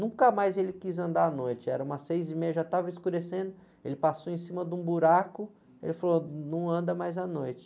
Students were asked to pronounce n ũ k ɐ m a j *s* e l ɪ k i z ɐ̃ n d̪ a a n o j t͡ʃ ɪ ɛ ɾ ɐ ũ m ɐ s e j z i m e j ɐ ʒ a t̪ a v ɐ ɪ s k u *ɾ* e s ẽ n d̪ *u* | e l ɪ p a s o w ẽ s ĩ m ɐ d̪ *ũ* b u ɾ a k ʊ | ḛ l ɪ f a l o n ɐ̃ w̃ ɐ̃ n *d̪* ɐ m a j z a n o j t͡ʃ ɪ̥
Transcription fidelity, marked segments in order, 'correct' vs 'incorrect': incorrect, correct, incorrect, correct, correct

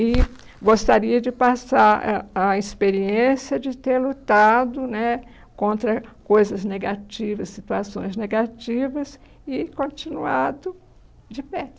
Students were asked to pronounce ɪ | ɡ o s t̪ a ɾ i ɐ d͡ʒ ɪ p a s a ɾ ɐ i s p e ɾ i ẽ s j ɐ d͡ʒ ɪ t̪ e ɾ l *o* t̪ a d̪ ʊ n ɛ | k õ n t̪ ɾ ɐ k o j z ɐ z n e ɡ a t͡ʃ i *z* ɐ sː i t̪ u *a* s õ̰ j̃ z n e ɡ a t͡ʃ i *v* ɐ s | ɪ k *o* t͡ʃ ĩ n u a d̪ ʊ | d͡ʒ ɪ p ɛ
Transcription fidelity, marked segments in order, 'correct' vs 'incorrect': incorrect, incorrect, correct, correct, incorrect

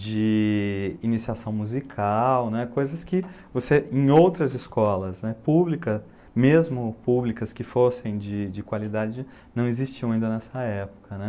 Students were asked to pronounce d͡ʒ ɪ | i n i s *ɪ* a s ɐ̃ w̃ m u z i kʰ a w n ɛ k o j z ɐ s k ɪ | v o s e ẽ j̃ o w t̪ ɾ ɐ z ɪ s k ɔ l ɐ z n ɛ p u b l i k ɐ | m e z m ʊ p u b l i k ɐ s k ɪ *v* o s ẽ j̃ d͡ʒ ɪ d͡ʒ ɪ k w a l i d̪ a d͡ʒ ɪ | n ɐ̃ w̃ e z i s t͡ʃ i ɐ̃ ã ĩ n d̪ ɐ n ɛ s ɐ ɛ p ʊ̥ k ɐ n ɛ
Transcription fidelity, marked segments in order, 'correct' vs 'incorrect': incorrect, incorrect

